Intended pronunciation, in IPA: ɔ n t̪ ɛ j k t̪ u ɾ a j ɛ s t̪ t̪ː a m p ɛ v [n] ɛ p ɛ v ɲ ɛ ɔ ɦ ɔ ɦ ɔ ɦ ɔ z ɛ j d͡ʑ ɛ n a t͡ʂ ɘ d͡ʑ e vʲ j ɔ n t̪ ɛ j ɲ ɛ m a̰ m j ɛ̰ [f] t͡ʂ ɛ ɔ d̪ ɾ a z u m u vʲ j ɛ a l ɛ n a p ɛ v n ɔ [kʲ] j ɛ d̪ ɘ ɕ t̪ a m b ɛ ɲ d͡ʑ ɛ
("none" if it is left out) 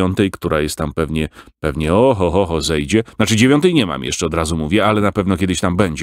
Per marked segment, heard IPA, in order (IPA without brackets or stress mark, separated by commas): ɲ, ʂ, kʲ